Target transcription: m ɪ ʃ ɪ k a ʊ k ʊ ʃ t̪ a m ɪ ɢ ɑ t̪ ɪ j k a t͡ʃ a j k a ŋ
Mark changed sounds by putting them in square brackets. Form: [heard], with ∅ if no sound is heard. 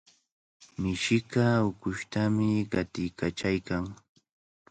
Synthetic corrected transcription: m ɪ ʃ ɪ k a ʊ k ʊ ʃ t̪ a m ɪ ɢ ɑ t̪ ɪ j k a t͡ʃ a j k a ŋ